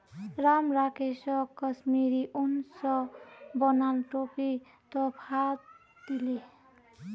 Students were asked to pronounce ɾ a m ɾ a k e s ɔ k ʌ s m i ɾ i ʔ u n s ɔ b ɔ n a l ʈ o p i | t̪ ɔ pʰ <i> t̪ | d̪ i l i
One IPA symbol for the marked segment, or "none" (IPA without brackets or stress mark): a